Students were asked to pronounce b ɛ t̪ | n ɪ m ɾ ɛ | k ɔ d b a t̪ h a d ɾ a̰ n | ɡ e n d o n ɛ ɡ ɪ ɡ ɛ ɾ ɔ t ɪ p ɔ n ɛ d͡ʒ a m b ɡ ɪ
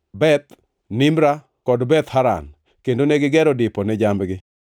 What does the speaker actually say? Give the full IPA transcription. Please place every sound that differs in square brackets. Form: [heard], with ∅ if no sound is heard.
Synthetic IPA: b ɛ t̪ | n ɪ m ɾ [a] | k ɔ d b [ɛ] t̪ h a [∅] ɾ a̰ n | [k] e n d o n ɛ ɡ ɪ ɡ ɛ ɾ ɔ [d] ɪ p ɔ n ɛ d͡ʒ a m b ɡ ɪ